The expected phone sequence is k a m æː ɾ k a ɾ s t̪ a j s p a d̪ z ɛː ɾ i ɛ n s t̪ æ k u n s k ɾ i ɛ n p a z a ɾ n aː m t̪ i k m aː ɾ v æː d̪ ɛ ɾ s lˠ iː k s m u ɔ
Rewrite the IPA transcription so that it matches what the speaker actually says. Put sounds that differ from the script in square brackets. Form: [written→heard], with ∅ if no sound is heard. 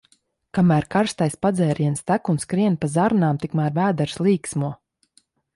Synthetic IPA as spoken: k a m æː ɾ k a ɾ s t̪ a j s p a d̪ z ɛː ɾ i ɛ n s t̪ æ k u n s k ɾ i ɛ n p a z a ɾ n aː m t̪ i k m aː ɾ v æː d̪ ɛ ɾ s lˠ iː k s m u ɔ